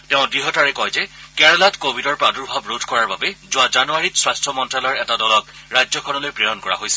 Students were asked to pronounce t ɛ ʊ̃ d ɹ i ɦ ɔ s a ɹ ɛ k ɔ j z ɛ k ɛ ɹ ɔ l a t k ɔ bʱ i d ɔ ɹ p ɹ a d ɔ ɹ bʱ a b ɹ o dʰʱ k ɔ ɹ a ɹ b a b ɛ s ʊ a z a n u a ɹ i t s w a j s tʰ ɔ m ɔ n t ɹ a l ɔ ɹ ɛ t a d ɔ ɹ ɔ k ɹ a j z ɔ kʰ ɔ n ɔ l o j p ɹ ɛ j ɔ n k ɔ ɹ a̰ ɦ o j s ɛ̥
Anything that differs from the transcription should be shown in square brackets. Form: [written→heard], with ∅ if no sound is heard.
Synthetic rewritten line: t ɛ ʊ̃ d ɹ i ɦ ɔ [s→t] a ɹ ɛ k ɔ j z ɛ k ɛ ɹ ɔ l a t k [ɔ→o] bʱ i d ɔ ɹ p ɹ a d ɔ ɹ bʱ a b ɹ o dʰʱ k ɔ ɹ a ɹ b a b ɛ [s→z] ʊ a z a n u a ɹ i t s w a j s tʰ ɔ m ɔ n t ɹ a l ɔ ɹ ɛ t a d ɔ [ɹ→l] ɔ k ɹ a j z ɔ kʰ ɔ n ɔ l o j p ɹ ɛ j ɔ n k ɔ ɹ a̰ ɦ o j s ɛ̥